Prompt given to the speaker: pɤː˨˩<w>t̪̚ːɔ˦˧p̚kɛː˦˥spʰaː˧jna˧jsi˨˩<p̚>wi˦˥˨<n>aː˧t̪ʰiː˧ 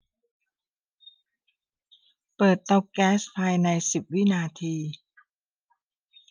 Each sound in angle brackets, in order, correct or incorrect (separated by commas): incorrect, correct, correct